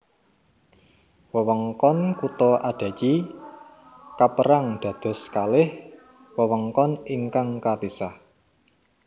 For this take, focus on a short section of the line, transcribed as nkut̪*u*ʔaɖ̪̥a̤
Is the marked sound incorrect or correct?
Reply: incorrect